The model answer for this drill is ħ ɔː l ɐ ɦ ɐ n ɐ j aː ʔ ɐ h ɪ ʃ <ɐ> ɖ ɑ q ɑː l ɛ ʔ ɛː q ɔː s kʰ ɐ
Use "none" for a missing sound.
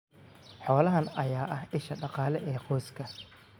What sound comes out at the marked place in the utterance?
ɐ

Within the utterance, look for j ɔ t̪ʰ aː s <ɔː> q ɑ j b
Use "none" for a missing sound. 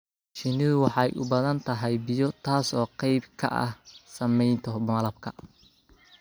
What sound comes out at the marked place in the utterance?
ɔː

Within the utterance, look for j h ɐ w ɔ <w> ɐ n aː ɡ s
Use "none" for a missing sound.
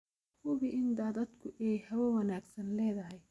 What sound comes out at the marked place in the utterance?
w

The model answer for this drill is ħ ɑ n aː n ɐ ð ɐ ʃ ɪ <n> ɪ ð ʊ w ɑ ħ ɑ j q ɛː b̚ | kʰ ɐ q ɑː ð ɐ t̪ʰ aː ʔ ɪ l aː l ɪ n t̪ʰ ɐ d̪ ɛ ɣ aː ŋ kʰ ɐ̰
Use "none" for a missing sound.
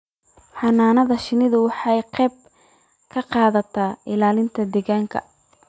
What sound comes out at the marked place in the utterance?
n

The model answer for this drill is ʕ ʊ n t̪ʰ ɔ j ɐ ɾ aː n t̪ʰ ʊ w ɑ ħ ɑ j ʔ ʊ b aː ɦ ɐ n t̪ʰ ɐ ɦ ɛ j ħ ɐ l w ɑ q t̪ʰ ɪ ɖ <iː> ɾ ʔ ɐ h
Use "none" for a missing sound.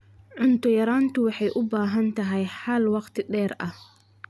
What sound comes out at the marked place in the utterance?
ɛː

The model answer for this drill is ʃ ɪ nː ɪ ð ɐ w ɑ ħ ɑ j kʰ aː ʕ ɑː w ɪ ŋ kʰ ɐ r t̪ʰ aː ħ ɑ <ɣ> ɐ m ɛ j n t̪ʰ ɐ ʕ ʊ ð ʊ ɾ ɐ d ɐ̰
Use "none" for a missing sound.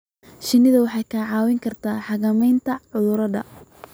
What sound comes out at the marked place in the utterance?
ɣ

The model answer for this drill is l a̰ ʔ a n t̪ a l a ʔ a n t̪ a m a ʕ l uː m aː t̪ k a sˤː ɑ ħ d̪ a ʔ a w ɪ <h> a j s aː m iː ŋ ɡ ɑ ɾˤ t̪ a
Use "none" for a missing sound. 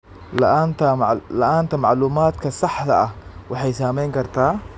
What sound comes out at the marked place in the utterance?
ħ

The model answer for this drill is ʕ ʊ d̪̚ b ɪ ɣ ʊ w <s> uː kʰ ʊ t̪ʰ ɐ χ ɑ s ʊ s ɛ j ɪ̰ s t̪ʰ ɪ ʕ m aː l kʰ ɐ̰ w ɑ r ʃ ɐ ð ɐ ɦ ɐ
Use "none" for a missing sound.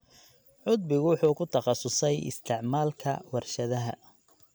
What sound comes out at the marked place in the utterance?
ħ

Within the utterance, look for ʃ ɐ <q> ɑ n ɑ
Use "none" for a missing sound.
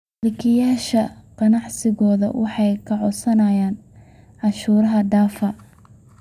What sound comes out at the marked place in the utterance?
q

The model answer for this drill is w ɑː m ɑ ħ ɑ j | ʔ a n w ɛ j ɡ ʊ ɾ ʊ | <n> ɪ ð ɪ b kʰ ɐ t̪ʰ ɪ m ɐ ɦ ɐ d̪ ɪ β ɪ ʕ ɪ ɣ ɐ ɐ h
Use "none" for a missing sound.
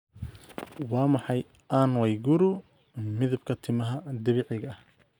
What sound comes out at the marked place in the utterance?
m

